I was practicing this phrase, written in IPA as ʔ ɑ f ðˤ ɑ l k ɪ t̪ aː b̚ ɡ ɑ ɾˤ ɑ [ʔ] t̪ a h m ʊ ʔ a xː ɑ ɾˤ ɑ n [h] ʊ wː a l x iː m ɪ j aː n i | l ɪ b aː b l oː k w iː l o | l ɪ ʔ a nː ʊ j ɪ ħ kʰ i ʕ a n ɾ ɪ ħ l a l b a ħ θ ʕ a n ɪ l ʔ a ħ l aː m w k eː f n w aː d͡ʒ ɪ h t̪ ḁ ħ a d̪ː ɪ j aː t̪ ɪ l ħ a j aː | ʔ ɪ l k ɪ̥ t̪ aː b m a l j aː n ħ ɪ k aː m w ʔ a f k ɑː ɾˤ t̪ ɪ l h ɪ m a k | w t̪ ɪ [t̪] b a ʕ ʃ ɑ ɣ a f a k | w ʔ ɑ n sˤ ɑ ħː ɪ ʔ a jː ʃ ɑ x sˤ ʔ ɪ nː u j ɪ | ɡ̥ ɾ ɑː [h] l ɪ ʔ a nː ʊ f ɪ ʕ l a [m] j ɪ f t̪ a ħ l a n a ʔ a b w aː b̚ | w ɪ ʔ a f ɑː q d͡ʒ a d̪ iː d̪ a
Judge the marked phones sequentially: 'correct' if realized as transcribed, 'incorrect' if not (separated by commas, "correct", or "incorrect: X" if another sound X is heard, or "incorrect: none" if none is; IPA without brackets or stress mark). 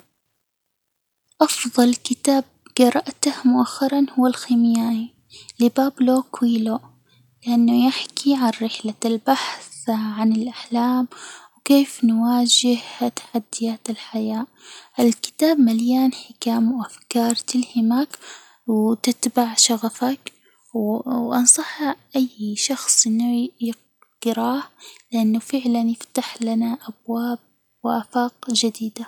correct, correct, correct, correct, incorrect: n